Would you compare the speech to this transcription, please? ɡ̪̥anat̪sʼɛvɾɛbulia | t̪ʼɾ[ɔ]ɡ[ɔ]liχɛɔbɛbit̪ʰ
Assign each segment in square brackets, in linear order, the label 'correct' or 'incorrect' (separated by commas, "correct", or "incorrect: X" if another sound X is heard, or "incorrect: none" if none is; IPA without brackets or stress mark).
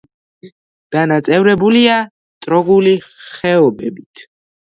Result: correct, incorrect: u